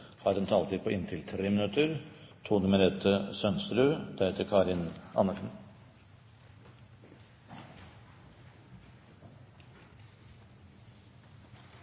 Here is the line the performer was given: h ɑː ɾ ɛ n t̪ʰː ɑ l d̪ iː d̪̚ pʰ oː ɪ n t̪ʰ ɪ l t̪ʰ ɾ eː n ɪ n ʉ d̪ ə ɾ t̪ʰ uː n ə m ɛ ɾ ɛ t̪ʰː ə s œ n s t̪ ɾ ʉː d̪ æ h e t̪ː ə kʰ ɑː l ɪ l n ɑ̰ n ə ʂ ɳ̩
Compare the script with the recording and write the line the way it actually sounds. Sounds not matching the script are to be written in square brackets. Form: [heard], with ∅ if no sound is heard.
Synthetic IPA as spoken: h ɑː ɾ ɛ n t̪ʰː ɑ l [t̪] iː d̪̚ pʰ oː ɪ n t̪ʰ ɪ l t̪ʰ ɾ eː [m] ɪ n ʉ [t̪] ə ɾ t̪ʰ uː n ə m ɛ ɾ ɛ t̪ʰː ə s œ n s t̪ ɾ ʉː d̪ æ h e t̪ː ə kʰ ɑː [ɾ] ɪ [∅] n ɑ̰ n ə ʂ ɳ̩

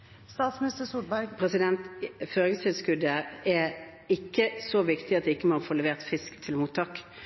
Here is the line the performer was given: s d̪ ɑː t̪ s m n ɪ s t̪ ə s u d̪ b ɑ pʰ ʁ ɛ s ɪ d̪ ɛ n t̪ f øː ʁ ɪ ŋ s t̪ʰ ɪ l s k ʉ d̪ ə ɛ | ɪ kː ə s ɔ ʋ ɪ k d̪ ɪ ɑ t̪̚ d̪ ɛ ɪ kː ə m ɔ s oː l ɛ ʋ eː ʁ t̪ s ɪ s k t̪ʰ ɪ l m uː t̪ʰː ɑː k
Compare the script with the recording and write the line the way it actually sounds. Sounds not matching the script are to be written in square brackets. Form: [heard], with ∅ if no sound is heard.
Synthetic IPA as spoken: s [t̪] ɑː t̪ s m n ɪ s t̪ ə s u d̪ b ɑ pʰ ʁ ɛ s ɪ d̪ ɛ n t̪ f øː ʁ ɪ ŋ s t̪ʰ ɪ l s k ʉ d̪ ə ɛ | ɪ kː ə s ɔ ʋ ɪ k [t̪] ɪ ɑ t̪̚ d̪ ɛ ɪ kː ə m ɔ [f] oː l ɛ ʋ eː ʁ t̪ [f] ɪ s k t̪ʰ ɪ l m uː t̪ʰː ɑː k

